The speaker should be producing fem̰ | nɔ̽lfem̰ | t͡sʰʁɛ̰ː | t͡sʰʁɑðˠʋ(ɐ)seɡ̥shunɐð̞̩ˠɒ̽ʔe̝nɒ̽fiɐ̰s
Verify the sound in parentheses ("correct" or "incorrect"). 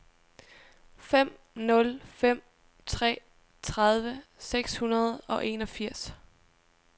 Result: incorrect